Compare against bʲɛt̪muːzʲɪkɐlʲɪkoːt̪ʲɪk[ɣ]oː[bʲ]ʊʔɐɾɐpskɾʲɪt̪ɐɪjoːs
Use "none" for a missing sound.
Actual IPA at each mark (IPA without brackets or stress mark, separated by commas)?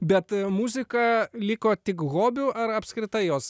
ɣ, bʲ